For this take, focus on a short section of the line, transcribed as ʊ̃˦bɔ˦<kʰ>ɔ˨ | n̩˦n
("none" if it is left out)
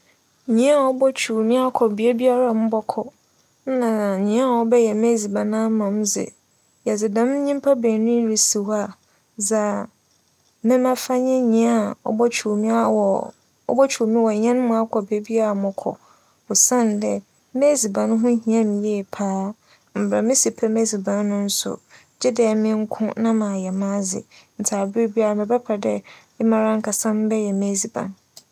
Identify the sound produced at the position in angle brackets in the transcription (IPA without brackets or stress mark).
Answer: kʰ